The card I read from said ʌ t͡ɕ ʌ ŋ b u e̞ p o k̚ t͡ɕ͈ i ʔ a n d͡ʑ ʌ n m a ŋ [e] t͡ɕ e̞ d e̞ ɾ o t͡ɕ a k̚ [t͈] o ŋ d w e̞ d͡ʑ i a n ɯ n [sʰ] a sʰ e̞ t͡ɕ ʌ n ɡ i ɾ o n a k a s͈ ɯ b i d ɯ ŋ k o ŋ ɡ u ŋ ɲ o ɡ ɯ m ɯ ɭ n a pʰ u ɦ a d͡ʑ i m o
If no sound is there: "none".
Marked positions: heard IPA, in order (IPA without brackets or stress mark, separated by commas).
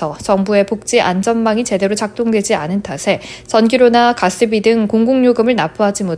i, t͈, tʰ